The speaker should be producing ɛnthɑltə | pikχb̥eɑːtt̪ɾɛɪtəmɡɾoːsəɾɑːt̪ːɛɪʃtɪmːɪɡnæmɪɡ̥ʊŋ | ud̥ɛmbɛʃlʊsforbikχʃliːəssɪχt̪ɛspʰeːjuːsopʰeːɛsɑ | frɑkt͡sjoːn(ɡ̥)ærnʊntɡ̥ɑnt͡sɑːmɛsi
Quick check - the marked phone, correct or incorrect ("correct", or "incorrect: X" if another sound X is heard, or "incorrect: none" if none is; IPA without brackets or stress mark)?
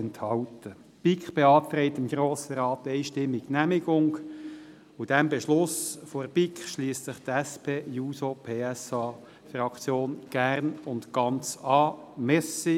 correct